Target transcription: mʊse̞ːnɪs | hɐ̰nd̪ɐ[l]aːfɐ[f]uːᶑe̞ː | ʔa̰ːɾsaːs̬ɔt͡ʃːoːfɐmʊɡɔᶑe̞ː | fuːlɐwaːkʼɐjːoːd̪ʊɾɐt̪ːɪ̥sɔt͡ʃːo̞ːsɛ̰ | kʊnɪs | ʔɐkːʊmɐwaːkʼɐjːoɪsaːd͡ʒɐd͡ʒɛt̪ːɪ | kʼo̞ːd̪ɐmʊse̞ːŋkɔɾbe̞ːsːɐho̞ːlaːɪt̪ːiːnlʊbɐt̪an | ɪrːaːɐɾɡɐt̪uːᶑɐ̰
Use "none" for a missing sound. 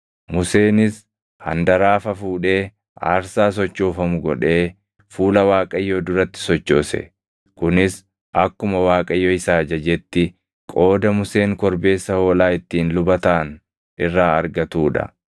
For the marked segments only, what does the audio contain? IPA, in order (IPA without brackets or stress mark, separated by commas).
ɾ, f